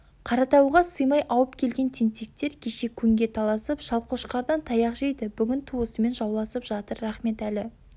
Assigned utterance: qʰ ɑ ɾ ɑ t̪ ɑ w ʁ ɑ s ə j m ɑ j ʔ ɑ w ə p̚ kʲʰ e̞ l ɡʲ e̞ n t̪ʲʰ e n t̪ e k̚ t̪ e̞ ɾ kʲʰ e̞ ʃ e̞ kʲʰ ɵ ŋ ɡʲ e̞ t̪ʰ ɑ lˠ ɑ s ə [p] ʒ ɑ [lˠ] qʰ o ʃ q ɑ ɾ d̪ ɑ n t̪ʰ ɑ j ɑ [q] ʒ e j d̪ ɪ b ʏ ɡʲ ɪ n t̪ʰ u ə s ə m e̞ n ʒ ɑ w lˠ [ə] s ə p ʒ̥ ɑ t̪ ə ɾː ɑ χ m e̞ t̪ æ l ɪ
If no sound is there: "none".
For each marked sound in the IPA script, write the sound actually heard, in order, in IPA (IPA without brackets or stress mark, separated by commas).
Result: p, lˠ, q, ɑ